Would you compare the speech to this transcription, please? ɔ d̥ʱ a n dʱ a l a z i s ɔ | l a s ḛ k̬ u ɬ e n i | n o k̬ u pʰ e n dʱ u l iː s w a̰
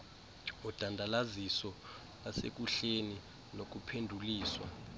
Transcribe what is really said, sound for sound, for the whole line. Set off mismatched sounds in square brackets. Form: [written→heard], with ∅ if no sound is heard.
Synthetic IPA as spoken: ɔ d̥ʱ a n dʱ a l a z i s ɔ | l a s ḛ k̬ u ɬ e n i | n o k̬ u pʰ e n dʱ u l iː s w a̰